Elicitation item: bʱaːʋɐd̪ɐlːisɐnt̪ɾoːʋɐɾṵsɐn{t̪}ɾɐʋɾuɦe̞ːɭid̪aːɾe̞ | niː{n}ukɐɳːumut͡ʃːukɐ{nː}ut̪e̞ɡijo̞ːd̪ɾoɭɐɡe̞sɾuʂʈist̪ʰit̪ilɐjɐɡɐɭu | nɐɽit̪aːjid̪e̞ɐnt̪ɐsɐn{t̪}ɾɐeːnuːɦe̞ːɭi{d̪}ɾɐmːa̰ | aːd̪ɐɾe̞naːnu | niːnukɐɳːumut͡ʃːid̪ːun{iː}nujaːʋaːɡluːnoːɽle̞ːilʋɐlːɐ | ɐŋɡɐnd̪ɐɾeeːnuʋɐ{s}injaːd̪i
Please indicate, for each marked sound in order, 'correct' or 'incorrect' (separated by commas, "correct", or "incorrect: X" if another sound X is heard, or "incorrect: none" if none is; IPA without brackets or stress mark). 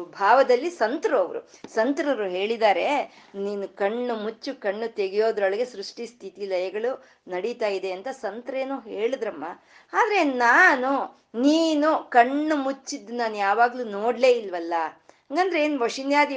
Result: correct, correct, incorrect: ɳː, correct, correct, incorrect: aː, incorrect: ʂ